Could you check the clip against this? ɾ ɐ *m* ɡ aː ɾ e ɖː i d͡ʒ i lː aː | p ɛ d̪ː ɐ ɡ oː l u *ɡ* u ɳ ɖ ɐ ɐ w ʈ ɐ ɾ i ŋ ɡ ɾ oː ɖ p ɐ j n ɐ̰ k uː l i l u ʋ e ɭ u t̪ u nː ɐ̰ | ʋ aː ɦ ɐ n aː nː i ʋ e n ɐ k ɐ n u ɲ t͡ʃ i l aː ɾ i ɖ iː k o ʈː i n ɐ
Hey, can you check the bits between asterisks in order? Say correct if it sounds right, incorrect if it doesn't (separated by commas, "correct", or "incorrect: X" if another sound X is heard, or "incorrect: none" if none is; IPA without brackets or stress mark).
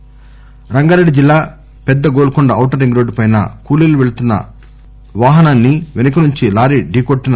incorrect: ŋ, incorrect: k